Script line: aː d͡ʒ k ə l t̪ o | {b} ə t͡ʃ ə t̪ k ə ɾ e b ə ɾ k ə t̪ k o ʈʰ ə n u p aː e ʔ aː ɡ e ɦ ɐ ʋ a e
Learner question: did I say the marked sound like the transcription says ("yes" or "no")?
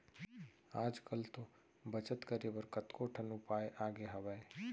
yes